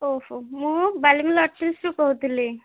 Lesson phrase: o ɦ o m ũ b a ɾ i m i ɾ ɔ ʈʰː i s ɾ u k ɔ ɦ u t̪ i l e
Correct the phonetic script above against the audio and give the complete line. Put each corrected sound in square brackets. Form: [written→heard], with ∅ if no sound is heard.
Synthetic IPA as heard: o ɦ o m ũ b a [ɾ→l] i m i [ɾ→l] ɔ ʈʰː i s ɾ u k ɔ ɦ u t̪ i l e